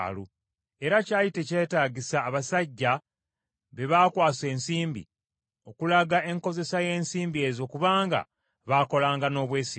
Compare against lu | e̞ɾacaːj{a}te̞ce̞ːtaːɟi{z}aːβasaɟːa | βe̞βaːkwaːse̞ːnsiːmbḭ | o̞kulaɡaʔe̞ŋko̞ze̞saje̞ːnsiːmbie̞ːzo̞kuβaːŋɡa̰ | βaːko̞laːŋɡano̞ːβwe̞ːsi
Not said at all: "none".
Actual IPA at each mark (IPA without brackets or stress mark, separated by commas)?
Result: i, s